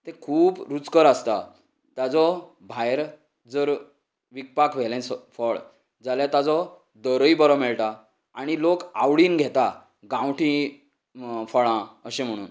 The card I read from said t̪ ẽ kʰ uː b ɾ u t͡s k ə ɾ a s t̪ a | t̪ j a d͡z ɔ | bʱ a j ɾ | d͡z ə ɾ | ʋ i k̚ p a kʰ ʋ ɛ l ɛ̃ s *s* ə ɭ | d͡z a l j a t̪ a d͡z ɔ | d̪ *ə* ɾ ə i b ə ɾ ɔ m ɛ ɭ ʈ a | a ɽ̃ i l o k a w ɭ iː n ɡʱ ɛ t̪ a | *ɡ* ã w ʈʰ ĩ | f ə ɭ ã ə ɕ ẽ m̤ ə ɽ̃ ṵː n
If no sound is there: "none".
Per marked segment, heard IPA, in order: f, ə, ɡ

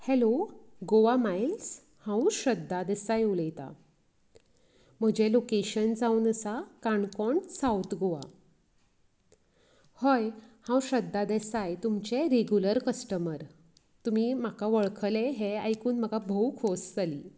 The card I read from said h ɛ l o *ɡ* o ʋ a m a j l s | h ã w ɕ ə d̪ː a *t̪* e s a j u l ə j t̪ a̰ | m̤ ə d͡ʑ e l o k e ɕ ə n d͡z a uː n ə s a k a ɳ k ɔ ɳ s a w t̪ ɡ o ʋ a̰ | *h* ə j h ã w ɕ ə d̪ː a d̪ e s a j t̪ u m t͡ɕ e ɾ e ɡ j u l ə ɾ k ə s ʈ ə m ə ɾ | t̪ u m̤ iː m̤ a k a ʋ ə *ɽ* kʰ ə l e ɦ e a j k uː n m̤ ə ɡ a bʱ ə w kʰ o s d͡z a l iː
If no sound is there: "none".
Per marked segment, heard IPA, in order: ɡ, d̪, h, ɭ

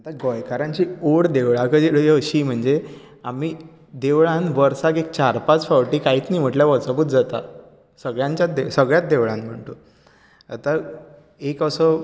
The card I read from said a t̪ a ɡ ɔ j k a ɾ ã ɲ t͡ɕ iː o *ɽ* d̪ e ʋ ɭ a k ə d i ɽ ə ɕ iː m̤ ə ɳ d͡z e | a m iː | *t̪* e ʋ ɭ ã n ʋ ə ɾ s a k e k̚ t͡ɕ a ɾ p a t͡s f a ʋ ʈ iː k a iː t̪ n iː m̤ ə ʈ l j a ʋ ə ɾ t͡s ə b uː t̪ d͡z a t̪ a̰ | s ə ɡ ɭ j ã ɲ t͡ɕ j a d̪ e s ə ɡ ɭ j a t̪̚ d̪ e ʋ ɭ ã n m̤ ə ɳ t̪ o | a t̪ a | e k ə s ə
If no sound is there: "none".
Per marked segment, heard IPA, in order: ɽ, d̪

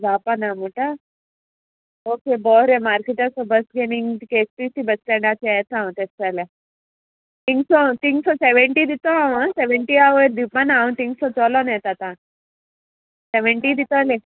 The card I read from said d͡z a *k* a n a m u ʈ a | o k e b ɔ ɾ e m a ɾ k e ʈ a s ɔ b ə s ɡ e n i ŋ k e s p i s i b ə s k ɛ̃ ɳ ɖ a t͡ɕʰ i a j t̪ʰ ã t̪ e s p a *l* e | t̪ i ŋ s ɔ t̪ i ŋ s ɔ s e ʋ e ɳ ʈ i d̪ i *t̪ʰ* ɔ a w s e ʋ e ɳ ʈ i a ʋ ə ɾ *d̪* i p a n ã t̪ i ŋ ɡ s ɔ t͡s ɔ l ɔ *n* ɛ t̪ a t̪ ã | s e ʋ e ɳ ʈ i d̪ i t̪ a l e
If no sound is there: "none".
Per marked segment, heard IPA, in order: p, l, t̪, d̪, n

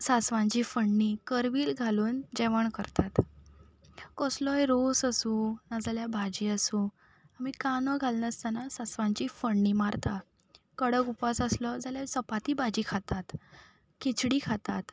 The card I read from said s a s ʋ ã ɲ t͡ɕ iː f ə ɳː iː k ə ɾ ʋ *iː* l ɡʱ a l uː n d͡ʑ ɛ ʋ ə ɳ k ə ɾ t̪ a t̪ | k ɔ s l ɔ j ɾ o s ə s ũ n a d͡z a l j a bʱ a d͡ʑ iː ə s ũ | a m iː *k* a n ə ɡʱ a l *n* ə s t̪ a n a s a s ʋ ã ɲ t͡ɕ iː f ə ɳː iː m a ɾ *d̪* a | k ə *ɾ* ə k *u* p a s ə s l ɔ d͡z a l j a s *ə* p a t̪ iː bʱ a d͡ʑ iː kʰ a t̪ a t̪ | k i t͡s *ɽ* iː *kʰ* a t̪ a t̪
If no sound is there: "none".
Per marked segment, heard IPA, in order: iː, k, n, t̪, ɽ, u, ə, ɽ, kʰ

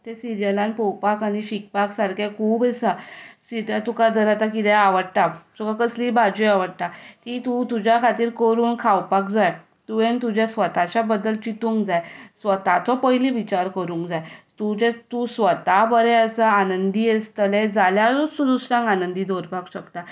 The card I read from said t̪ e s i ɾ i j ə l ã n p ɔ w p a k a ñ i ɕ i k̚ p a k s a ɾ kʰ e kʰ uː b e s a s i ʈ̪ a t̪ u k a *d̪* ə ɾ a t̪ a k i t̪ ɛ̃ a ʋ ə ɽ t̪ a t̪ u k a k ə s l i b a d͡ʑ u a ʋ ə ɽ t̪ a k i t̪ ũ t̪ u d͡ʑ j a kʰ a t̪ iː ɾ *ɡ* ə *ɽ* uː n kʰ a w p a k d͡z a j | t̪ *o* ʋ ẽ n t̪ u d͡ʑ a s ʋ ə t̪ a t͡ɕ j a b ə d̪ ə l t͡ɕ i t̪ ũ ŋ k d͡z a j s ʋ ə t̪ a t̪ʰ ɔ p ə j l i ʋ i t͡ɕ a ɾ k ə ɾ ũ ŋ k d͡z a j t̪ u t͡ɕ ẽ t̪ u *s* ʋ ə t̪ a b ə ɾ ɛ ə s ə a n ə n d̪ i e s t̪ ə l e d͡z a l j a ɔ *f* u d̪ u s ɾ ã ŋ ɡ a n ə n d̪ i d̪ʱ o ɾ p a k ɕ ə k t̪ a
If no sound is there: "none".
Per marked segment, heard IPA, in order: d̪, k, ɾ, u, s, s

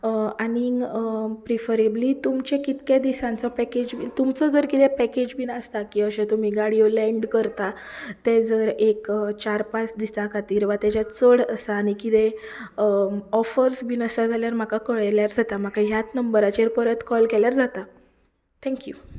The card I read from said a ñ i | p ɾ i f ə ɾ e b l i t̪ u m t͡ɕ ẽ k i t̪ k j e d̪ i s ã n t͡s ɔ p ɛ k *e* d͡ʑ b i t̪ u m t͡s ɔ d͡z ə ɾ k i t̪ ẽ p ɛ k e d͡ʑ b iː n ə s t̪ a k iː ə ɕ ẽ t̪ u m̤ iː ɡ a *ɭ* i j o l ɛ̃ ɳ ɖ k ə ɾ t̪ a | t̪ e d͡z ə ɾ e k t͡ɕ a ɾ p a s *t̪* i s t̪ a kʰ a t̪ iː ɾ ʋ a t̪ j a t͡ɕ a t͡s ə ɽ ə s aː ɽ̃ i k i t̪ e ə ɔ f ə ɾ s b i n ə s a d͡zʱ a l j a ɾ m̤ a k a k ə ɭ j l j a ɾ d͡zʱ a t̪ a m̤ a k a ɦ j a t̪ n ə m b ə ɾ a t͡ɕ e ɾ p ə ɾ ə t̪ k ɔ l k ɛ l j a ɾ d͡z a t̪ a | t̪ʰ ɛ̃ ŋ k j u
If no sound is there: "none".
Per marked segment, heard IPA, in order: e, ɽ, d̪

